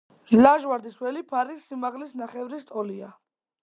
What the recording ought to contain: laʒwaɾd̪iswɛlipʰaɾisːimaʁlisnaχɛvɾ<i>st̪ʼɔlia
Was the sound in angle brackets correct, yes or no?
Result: yes